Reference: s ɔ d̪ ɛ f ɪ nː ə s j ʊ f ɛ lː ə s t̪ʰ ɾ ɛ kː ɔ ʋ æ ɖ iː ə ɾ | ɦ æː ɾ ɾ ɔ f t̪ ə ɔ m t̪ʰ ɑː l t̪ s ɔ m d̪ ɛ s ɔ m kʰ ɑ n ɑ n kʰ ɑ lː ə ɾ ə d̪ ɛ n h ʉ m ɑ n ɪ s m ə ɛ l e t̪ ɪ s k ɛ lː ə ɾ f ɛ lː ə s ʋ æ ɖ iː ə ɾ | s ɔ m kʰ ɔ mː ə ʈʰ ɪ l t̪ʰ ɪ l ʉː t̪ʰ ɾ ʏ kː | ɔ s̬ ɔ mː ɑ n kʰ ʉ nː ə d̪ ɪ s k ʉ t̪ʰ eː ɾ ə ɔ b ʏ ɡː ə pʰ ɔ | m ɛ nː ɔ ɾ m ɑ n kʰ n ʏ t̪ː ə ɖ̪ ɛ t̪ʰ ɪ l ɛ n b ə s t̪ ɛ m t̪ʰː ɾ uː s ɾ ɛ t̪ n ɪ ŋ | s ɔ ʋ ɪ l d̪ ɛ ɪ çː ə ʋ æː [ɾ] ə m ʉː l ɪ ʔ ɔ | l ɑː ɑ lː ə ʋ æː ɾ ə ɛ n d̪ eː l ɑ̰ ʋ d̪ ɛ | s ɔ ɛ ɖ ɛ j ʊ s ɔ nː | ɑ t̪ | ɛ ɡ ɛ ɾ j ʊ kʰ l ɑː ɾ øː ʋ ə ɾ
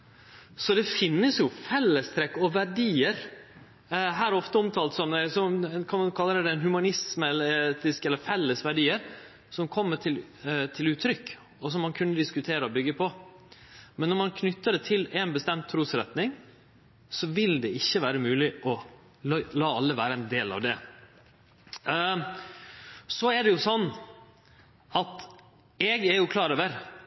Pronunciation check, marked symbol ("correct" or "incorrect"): correct